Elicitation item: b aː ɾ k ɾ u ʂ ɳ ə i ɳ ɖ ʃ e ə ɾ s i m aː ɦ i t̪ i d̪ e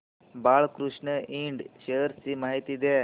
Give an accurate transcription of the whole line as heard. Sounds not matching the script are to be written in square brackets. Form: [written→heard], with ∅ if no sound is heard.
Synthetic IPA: b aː [ɾ→ɭ] k ɾ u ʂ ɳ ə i ɳ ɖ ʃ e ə ɾ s i m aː ɦ i t̪ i d̪ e